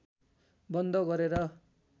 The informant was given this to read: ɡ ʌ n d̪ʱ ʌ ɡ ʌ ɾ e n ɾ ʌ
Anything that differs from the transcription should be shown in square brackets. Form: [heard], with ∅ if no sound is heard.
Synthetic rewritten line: [b] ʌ n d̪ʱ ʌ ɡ ʌ ɾ e [∅] ɾ ʌ